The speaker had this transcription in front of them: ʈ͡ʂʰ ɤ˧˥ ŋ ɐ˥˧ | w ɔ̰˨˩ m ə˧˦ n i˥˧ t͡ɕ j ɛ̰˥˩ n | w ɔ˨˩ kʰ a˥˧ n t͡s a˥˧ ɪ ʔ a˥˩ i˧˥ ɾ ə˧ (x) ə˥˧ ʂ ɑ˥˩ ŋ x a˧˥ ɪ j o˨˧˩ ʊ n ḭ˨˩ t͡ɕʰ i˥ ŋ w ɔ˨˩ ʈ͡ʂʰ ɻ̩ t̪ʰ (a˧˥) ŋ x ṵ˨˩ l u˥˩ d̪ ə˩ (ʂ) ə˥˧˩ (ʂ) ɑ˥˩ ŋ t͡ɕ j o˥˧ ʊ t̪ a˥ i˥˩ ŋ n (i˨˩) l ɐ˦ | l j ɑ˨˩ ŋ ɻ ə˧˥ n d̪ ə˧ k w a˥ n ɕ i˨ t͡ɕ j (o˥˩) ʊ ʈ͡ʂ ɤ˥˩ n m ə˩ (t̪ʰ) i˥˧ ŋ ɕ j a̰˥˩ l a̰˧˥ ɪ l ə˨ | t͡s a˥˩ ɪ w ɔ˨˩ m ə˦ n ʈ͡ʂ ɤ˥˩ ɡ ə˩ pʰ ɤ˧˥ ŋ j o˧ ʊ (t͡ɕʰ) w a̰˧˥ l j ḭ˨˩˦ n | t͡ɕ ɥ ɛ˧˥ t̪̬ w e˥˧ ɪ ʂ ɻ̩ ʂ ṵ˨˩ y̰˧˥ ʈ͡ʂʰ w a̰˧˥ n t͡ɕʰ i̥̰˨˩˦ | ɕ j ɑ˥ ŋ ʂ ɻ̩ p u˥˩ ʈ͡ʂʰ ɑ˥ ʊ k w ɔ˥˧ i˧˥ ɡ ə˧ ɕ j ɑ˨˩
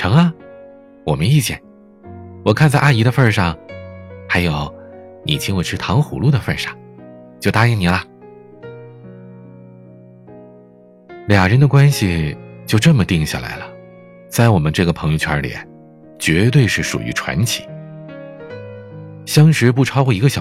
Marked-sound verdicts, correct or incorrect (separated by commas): incorrect, incorrect, incorrect, correct, correct, incorrect, incorrect, correct